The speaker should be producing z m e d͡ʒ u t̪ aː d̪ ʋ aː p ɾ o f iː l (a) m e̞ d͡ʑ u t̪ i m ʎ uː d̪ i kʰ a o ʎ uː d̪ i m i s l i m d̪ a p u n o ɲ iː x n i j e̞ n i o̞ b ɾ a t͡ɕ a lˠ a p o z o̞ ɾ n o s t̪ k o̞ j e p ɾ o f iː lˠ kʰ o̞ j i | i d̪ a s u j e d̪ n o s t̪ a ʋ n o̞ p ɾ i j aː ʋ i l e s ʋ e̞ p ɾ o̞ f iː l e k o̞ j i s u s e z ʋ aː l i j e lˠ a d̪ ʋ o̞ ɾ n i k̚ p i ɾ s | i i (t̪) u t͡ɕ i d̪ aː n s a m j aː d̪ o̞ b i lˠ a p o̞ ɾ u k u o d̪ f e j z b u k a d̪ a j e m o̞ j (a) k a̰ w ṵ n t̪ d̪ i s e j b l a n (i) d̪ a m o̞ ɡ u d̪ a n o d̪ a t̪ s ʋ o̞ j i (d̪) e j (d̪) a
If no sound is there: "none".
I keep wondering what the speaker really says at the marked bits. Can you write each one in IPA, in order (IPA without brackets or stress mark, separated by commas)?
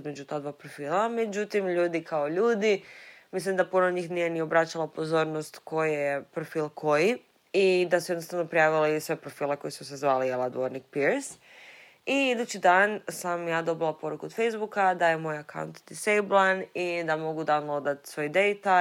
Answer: a, d̪, a, i, d̪, t̪